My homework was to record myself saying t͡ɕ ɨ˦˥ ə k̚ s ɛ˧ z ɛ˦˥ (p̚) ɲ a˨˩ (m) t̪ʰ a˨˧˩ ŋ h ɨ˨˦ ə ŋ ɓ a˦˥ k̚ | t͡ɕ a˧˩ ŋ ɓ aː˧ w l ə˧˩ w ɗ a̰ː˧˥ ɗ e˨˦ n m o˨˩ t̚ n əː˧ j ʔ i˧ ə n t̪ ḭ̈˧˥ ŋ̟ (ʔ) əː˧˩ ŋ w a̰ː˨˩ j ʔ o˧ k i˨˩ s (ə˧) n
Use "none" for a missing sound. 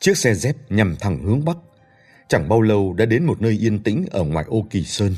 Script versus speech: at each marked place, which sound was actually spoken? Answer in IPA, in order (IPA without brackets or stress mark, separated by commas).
p̚, m, ʔ, əː˧